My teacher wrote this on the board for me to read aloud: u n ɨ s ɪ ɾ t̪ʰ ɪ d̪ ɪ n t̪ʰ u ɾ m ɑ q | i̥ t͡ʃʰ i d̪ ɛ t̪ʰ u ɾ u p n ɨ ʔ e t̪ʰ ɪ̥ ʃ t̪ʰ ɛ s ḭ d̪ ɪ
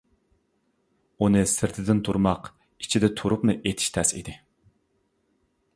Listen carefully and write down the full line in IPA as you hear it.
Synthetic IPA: u n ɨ s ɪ ɾ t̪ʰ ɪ d̪ ɪ n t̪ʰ u ɾ m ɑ q | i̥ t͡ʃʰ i d̪ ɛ t̪ʰ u ɾ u p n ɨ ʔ e t̪ʰ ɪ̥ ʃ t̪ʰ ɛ s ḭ d̪ ɪ